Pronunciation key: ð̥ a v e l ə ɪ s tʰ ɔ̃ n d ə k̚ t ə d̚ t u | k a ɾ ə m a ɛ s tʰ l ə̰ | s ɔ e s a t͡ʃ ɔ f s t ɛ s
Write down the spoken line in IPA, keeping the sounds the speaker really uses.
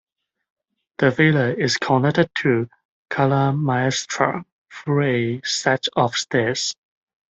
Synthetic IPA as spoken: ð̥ ə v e l ə ɪ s kʰ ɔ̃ n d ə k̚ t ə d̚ tʰ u | kʰ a l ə m a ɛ s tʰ ɹ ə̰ | f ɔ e s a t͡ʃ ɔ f s t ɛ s